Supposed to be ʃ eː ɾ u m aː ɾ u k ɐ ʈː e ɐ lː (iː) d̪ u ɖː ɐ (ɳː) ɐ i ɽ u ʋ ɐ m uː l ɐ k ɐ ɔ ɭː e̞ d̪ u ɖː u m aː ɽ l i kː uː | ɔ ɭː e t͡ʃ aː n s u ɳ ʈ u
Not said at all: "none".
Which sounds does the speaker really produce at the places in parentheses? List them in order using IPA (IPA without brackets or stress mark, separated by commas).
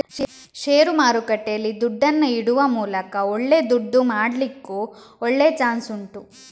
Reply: i, nː